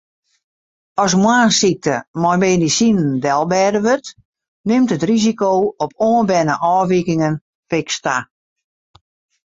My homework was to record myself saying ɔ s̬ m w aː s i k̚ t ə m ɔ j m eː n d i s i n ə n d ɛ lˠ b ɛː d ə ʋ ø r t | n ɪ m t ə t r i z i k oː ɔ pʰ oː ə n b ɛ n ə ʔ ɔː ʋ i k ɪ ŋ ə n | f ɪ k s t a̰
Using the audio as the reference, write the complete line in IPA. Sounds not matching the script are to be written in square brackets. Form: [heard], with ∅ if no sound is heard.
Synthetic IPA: ɔ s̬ m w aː s i k̚ t ə m ɔ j m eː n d i s i n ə n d ɛ lˠ b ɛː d ə ʋ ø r t | n ɪ m t ə t r i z i k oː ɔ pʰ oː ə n b ɛ n ə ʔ ɔː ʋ i k ɪ ŋ ə n | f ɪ k s t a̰